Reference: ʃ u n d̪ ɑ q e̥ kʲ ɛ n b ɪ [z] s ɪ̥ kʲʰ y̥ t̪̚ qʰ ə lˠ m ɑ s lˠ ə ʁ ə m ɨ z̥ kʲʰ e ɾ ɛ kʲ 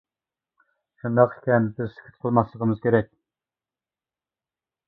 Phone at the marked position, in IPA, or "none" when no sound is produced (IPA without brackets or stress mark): z